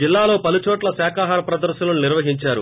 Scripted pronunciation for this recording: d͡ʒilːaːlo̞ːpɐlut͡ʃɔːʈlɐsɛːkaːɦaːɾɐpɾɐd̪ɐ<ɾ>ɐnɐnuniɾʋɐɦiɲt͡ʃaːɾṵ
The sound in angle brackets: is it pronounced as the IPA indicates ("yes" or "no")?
yes